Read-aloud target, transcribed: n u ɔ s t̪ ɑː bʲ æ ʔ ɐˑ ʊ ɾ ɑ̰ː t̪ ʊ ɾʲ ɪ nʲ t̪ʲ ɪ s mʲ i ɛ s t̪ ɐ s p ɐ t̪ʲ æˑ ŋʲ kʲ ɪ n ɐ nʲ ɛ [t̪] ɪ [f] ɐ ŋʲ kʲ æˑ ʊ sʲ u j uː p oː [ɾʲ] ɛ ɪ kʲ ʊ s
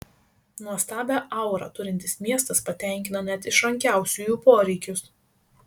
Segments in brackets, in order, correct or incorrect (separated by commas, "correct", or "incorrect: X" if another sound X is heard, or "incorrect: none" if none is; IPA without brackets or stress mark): correct, incorrect: ʃ, correct